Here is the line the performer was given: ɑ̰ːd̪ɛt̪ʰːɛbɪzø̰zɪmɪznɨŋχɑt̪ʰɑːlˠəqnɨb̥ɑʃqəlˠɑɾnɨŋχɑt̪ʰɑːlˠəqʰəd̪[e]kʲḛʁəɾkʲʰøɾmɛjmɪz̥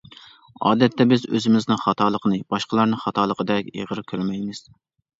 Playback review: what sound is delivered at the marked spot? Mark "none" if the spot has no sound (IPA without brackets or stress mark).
ɛ